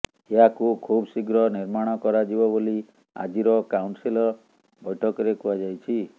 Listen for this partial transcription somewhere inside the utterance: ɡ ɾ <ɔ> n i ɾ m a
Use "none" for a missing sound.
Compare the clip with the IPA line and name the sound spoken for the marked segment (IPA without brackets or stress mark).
ɔ